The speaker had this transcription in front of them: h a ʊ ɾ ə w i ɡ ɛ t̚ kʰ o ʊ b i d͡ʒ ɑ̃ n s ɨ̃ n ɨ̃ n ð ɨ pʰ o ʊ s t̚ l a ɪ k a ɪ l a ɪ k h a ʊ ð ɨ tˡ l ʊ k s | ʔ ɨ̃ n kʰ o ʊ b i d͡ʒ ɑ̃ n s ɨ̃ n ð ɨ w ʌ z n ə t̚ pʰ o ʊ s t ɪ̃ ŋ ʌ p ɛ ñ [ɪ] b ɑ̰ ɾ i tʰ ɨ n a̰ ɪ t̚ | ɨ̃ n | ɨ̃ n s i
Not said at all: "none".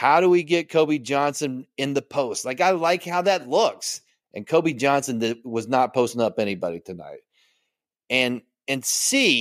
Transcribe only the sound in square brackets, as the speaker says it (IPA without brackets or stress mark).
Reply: i